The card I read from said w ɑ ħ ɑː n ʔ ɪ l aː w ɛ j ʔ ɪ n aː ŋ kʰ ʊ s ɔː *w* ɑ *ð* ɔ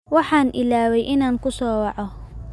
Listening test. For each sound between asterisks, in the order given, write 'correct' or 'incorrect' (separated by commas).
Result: correct, incorrect